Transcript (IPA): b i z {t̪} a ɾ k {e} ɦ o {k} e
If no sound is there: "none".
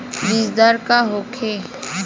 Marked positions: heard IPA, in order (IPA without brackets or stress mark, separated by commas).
d̪, a, kʰ